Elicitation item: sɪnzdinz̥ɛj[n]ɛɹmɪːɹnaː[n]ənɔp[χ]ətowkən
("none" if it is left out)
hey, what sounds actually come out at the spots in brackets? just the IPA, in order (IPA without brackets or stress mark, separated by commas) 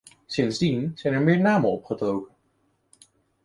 n, m, χ